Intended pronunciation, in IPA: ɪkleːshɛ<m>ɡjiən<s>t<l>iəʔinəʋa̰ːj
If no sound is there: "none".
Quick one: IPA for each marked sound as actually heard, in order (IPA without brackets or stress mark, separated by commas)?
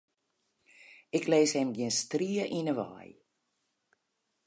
m, s, r